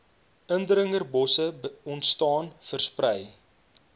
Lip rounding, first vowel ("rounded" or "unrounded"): unrounded